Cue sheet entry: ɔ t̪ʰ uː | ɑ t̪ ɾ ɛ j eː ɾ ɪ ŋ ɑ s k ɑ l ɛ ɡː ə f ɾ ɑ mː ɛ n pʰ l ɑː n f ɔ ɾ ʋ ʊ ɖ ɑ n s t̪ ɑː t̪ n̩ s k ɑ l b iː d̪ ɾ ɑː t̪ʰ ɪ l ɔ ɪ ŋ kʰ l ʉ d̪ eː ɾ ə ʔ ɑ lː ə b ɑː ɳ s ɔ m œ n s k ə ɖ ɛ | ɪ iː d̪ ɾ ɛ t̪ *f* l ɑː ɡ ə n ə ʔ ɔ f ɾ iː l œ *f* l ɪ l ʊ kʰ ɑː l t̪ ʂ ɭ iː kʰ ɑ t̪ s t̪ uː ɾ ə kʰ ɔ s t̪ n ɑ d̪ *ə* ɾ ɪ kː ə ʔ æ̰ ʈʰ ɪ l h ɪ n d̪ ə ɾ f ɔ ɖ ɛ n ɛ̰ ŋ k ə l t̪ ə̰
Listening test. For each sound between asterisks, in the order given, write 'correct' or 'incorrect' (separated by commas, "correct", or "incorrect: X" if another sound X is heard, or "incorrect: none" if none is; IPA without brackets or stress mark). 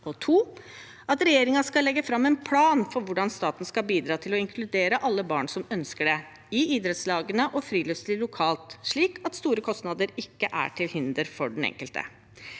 incorrect: s, incorrect: s, correct